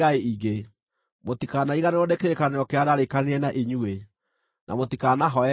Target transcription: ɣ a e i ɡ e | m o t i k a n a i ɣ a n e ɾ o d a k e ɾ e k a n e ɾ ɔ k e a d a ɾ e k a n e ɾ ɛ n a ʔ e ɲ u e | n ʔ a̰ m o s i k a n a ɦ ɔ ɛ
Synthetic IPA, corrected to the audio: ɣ a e i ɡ e | m o t i k a n a i ɣ a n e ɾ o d e k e ɾ e k a n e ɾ ɔ k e a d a ɾ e k a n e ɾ ɛ n a ʔ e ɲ u e | n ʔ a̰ m o t i k a n a ɦ ɔ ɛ